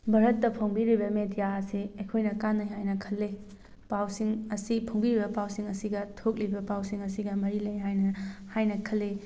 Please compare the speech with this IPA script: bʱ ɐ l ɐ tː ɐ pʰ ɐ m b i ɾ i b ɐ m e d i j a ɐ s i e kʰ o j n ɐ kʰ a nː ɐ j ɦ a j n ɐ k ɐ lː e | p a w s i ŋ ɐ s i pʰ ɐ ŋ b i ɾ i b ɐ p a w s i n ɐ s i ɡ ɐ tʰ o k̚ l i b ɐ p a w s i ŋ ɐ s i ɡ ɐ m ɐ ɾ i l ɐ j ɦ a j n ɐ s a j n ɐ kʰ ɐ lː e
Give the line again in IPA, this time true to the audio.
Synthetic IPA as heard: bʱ ɐ ɾ ɐ tː ɐ pʰ ɐ ŋ b i ɾ i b ɐ m e d i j a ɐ s i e kʰ o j n ɐ k a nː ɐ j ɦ a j n ɐ kʰ ɐ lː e | p a w s i ŋ ɐ s i pʰ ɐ ŋ b i ɾ i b ɐ p a w s i ŋ ɐ s i ɡ ɐ tʰ o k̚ l i b ɐ p a w s i ŋ ɐ s i ɡ ɐ m ɐ ɾ i l ɐ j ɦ a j n ɐ h a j n ɐ kʰ ɐ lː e